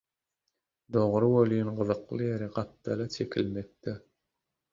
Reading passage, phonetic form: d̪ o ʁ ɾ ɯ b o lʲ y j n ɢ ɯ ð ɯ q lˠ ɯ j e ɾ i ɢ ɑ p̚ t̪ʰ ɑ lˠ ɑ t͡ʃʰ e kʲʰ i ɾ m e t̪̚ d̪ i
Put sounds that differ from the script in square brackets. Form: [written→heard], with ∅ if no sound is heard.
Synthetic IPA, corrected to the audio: d̪ o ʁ ɾ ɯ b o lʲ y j n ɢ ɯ ð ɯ q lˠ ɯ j e ɾ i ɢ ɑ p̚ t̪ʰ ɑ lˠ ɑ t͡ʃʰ e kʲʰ i [ɾ→l] m e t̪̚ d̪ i